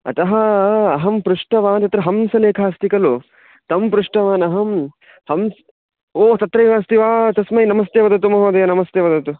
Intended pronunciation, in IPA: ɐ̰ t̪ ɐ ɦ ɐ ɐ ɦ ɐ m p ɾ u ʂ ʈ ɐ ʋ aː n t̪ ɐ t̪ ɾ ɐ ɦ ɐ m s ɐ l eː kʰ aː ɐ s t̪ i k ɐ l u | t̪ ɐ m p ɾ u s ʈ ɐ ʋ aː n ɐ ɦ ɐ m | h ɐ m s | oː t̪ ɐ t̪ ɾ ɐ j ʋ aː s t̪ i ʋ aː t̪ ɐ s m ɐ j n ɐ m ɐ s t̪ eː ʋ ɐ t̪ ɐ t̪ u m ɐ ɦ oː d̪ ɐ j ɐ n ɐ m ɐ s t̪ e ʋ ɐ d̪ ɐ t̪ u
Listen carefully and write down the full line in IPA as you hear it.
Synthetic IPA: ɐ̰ t̪ ɐ ɦ ɐ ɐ ɦ ɐ m p ɾ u ʂ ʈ ɐ ʋ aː n t̪ ɐ t̪ ɾ ɐ ɦ ɐ m s ɐ l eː kʰ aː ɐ s t̪ i k ɐ l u | t̪ ɐ m p ɾ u ʂ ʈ ɐ ʋ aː n ɐ ɦ ɐ m | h ɐ m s | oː t̪ ɐ t̪ ɾ ɐ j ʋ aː s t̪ i ʋ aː t̪ ɐ s m ɐ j n ɐ m ɐ s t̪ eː ʋ ɐ d̪ ɐ t̪ u m ɐ ɦ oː d̪ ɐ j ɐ n ɐ m ɐ s t̪ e ʋ ɐ d̪ ɐ t̪ u